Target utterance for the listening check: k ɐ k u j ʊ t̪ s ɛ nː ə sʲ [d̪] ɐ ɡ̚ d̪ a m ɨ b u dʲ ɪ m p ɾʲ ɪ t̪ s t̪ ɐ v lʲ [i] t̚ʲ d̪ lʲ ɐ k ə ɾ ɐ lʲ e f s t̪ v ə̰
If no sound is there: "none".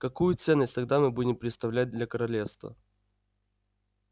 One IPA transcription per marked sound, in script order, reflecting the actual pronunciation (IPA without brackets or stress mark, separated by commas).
t̪, æ